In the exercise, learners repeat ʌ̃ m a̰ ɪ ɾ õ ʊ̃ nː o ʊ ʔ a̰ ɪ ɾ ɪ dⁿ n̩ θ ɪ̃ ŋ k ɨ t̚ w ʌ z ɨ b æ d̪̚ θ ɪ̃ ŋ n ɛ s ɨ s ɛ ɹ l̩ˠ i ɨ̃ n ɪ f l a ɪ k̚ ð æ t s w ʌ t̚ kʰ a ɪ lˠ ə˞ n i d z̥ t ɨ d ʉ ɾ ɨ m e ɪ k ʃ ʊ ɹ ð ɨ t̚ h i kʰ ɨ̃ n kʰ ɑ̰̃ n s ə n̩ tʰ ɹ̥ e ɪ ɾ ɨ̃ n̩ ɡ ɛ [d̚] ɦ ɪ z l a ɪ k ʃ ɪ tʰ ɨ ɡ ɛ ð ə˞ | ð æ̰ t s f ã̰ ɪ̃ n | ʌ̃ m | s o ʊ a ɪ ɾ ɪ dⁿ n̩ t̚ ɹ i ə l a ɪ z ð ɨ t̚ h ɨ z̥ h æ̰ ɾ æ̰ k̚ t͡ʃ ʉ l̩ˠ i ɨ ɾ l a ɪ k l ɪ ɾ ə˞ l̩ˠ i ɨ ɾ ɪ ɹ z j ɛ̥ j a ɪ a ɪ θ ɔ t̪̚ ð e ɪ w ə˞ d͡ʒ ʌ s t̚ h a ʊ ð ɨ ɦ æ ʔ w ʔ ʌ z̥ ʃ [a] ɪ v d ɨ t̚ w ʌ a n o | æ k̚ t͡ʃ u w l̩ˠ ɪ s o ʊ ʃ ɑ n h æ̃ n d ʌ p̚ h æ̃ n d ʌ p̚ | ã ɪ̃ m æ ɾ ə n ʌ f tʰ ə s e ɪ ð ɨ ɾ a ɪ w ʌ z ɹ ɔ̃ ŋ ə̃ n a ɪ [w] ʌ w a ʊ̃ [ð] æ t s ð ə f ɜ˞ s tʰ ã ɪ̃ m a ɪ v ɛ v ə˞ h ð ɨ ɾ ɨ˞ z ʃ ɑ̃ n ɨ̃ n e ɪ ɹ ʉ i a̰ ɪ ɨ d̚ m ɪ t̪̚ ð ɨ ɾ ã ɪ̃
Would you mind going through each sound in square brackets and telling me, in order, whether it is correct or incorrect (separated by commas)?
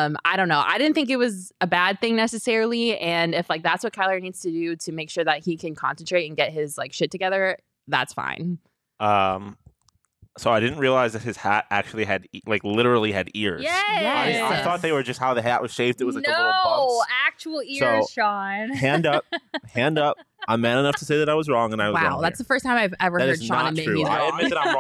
incorrect, incorrect, correct, correct